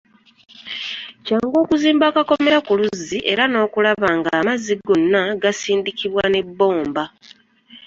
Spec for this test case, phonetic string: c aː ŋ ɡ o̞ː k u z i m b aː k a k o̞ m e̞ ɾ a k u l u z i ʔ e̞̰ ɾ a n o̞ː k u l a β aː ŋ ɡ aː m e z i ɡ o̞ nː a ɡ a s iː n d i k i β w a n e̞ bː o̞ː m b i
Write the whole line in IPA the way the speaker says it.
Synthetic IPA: c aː ŋ ɡ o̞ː k u z iː m b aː k a k o̞ m e̞ ɾ a k u l u z i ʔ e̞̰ ɾ a n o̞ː k u l a β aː ŋ ɡ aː m a z i ɡ o̞ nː a ɡ a s iː n d i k i β w a n e̞ bː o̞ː m b a